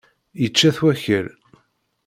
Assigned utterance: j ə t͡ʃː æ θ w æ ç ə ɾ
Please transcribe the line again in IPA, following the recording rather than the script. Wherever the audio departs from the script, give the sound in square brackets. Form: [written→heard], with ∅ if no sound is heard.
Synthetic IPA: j ə t͡ʃː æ θ w æ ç ə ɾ